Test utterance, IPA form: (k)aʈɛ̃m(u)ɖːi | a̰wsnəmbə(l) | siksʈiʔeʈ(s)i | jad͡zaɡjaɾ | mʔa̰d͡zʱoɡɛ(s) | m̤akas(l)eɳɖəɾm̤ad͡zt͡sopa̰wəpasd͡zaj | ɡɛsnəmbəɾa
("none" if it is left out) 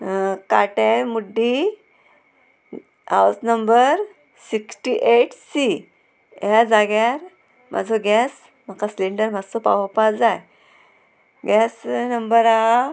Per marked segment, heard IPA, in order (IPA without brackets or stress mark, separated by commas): k, u, ɾ, s, s, l